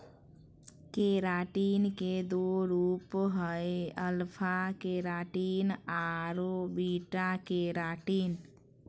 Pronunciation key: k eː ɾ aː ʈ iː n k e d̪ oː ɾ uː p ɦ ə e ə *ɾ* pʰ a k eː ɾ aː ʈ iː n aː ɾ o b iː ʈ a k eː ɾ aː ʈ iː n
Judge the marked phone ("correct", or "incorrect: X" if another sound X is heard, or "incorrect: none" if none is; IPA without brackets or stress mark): incorrect: l